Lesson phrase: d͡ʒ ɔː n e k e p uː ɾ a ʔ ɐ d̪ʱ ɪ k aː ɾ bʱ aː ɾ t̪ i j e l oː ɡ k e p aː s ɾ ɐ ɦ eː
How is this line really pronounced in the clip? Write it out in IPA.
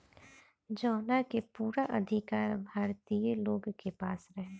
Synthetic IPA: d͡ʒ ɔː n a k e p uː ɾ a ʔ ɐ d̪ʱ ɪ k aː ɾ bʱ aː ɾ t̪ i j e l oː ɡ k e p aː s ɾ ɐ ɦ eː